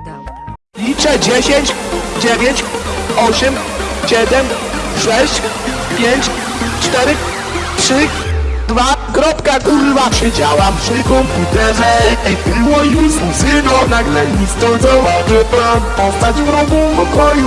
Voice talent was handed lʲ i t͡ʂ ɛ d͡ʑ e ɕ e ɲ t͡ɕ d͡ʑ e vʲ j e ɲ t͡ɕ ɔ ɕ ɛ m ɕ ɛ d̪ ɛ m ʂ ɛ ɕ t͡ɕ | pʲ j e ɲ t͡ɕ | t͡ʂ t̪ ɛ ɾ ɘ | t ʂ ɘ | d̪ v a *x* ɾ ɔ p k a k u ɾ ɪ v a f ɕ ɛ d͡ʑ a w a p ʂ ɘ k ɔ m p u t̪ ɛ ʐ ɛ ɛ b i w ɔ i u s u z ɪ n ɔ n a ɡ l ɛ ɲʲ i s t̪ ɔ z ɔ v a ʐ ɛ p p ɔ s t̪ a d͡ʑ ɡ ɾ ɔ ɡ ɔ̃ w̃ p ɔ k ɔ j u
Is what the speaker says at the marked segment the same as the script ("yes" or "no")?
no